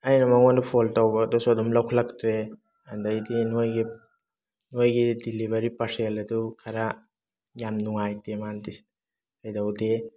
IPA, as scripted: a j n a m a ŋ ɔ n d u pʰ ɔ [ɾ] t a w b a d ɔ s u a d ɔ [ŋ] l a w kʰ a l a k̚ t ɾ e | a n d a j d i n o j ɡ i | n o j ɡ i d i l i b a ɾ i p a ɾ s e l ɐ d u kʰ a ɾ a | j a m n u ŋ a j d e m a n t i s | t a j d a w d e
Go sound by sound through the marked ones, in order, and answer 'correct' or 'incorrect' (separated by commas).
incorrect, incorrect